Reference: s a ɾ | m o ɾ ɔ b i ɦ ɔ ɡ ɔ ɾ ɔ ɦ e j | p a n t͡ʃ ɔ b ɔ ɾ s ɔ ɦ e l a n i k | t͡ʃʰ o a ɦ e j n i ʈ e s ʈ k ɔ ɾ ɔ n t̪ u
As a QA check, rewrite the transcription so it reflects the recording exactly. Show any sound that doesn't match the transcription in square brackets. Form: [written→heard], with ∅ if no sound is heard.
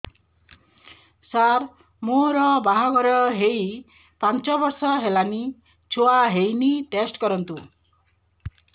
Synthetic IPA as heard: s a ɾ | m o ɾ ɔ b [i→a] ɦ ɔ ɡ ɔ ɾ ɔ ɦ e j | p a n t͡ʃ ɔ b ɔ ɾ s ɔ ɦ e l a n i [k→∅] | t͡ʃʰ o a ɦ e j n i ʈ e s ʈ k ɔ ɾ ɔ n t̪ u